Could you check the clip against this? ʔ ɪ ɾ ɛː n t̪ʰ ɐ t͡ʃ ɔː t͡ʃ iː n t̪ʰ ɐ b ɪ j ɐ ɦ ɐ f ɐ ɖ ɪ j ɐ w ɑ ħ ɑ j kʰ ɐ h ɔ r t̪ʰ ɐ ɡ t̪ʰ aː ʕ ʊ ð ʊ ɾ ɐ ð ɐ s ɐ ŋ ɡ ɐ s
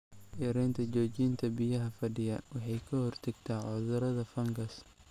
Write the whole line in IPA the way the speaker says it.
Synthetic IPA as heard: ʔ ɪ ɾ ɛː n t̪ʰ ɐ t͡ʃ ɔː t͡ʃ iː n t̪ʰ ɐ b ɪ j ɐ ɦ ɐ f ɐ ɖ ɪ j ɐ w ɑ ħ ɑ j kʰ ɐ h ɔ r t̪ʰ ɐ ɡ t̪ʰ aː ʕ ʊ ð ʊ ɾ ɐ ð ɐ f ɐ ŋ ɡ ɐ s